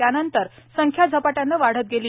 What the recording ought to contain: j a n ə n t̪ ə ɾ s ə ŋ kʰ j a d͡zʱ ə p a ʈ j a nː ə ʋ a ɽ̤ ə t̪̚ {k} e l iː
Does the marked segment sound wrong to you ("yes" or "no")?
yes